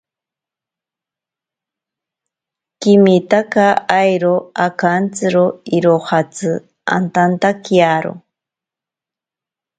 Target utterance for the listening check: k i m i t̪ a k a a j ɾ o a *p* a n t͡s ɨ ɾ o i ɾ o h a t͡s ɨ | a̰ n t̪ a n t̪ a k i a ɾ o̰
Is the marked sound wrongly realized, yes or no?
yes